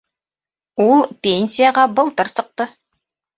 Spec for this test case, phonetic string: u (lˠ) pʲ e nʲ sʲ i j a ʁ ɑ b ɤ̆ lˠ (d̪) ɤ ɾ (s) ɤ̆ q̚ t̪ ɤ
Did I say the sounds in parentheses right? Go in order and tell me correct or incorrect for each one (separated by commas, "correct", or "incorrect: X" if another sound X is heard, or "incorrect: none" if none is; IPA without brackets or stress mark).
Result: correct, incorrect: t̪, correct